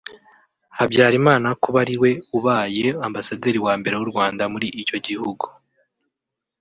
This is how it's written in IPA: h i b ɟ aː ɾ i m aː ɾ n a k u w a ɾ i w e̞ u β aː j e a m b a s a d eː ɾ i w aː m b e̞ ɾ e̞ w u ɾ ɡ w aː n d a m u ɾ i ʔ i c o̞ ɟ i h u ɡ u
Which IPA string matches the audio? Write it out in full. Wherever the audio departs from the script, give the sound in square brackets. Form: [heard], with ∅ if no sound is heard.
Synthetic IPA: h [a] b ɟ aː ɾ i m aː [∅] n a k u [β] a ɾ i w e̞ u β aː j e a m b a s a d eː ɾ i w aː m b e̞ ɾ e̞ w u ɾ ɡ w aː n d a m u ɾ i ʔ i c o̞ ɟ i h u ɡ u